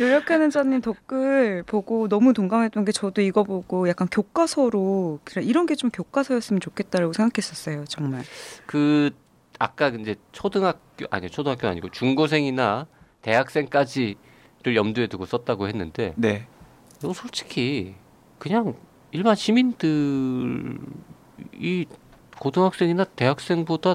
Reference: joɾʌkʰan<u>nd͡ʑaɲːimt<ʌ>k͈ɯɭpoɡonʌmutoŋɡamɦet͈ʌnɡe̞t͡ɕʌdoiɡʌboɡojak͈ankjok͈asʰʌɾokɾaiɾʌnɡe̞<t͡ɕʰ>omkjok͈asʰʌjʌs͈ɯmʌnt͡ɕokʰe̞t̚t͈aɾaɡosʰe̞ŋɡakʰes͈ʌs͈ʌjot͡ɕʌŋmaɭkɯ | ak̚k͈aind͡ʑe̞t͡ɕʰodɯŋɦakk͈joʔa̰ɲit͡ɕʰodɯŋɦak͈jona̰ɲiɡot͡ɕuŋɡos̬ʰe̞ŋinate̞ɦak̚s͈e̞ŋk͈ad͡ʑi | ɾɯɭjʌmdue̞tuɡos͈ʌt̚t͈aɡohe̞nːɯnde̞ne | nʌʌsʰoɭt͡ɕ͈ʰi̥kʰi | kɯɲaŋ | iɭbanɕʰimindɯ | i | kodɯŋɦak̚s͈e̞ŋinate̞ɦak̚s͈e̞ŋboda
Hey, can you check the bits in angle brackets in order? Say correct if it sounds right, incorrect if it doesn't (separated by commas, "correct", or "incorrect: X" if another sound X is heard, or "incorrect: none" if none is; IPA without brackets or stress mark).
incorrect: ɯ, correct, incorrect: t͡ɕ